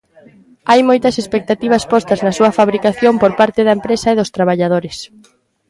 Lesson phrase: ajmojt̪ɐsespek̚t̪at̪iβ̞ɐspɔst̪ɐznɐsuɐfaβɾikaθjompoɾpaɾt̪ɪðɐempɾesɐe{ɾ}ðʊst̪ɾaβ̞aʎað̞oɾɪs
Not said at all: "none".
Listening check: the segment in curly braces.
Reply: none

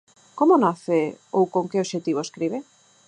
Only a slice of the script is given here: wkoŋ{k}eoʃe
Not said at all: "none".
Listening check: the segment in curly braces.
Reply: k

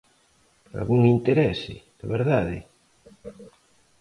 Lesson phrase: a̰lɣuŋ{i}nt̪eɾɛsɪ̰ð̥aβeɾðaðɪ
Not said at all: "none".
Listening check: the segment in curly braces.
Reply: i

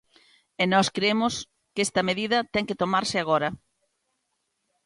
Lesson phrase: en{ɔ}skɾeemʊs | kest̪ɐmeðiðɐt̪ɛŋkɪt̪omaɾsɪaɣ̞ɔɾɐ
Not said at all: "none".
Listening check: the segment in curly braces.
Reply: ɔ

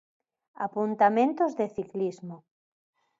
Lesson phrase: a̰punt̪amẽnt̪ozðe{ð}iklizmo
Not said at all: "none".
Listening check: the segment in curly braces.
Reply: θ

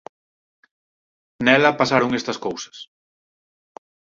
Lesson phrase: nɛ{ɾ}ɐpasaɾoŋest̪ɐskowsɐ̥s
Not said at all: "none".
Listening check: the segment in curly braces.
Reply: l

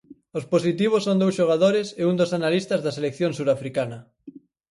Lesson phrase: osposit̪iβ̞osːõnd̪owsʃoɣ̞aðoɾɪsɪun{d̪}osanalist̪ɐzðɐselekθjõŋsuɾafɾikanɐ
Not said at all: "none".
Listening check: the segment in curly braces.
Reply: d̪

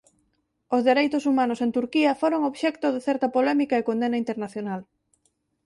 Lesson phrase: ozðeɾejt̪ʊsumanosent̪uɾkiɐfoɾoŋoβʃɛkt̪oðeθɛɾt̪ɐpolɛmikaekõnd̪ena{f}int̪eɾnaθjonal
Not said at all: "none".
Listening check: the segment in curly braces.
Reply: none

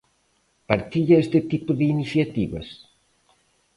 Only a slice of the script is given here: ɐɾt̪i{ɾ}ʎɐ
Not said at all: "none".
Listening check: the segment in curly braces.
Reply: none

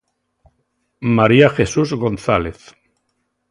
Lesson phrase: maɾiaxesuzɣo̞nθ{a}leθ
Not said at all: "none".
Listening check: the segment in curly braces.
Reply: a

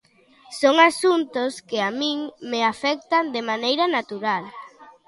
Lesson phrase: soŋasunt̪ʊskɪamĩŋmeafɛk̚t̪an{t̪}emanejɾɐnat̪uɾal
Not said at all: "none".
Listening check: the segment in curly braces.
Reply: d̪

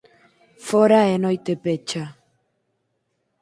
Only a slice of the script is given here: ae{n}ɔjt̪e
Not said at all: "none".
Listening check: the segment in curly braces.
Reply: n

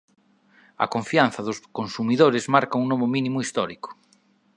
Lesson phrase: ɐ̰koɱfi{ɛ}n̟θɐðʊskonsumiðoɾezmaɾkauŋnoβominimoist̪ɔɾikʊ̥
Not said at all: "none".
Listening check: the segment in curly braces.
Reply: a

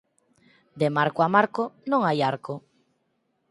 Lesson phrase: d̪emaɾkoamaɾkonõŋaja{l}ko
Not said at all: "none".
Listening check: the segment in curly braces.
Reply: ɾ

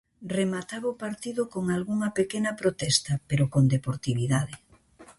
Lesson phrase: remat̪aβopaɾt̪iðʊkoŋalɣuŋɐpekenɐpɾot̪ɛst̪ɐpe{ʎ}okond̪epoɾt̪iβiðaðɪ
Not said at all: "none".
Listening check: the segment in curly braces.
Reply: ɾ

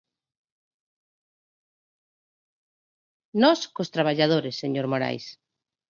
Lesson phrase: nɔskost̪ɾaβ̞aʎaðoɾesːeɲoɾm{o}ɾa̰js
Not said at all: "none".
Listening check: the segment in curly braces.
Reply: o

